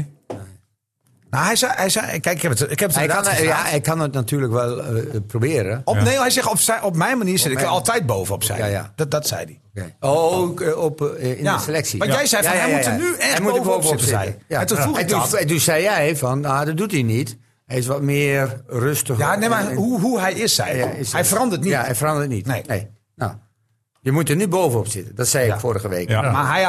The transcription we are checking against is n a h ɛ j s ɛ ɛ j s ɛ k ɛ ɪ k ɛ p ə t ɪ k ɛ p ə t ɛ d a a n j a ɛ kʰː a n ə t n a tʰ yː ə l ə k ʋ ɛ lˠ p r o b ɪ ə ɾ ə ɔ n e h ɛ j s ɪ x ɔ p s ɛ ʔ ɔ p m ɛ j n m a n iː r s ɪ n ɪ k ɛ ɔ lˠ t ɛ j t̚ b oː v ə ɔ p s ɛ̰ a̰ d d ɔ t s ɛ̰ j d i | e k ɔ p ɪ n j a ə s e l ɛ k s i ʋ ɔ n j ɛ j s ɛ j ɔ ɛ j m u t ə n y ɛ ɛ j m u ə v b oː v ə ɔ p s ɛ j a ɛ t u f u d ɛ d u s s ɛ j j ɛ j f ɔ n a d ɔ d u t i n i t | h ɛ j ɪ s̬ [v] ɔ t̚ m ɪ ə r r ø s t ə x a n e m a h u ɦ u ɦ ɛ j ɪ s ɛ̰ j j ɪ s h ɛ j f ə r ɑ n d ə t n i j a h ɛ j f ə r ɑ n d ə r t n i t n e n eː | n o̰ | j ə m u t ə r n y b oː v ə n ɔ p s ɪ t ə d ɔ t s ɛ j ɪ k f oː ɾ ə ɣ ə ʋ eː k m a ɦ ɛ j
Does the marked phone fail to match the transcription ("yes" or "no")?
yes